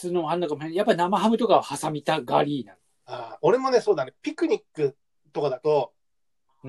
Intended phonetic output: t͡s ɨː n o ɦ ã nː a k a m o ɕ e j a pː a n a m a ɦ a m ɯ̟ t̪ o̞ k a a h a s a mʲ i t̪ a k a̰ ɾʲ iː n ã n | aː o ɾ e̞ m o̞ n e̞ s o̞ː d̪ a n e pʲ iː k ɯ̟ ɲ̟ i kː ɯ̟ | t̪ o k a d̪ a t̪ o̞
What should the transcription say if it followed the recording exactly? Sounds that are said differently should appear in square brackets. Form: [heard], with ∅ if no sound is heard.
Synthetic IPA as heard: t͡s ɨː n o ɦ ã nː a k a m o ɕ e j a pː a n a m a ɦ a m ɯ̟ t̪ o̞ k a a h a s a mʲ i t̪ a [ɡ] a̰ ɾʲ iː n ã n | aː o ɾ e̞ m o̞ n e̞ s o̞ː d̪ a n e pʲ [i] k ɯ̟ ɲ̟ i kː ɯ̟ | t̪ o k a d̪ a t̪ o̞